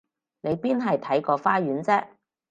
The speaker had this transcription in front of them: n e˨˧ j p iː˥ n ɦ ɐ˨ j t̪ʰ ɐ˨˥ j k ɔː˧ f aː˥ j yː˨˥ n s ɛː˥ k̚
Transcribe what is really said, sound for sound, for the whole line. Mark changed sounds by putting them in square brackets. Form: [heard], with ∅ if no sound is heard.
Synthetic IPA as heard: n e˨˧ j p iː˥ n ɦ ɐ˨ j t̪ʰ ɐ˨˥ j k ɔː˧ f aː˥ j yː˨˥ n [t͡s] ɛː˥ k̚